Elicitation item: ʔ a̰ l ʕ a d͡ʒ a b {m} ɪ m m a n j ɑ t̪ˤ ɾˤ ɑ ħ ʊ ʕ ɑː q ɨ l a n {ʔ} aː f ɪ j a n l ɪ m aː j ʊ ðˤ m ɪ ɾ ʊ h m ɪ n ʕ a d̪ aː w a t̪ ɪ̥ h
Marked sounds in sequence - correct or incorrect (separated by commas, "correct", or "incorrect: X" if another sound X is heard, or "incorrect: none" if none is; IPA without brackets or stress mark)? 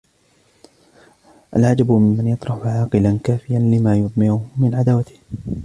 correct, incorrect: k